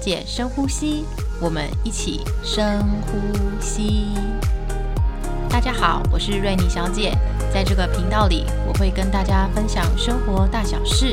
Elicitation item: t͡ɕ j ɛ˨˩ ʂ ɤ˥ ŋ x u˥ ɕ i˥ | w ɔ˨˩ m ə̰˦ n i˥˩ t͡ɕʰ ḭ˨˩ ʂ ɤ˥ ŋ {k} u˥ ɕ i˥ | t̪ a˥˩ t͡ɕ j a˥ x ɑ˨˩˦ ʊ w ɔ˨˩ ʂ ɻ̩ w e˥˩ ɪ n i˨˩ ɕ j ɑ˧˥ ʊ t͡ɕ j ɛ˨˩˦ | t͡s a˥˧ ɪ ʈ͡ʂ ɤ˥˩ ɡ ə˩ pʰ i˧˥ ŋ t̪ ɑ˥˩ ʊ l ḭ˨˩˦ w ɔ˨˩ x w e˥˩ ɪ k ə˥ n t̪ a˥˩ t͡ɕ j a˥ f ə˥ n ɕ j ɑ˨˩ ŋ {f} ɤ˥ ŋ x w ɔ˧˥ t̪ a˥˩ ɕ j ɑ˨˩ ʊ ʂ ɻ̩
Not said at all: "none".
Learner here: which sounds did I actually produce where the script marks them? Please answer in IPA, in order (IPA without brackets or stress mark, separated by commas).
x, ʂ